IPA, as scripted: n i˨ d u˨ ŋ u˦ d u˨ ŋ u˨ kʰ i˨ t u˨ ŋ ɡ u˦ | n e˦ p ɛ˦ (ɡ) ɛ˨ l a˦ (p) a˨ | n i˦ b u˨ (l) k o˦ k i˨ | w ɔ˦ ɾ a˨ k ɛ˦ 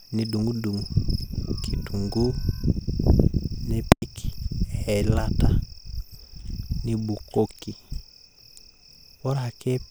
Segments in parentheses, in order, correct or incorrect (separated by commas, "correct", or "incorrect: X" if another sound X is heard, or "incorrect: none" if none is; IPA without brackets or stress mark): incorrect: k, incorrect: t, incorrect: none